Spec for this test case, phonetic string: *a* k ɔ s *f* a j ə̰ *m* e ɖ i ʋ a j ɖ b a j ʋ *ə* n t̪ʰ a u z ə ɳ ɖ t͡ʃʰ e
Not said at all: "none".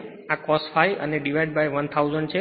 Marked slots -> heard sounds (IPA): a, f, n, ə

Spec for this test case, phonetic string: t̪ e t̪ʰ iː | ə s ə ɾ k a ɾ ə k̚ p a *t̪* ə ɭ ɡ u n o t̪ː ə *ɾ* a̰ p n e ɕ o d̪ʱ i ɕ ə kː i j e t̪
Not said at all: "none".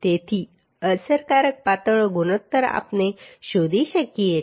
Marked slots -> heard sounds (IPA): t̪, ɾ

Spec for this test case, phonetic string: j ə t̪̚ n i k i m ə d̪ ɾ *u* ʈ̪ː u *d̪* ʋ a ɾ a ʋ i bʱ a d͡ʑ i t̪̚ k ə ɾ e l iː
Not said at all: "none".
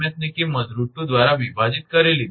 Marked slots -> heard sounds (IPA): u, d̪

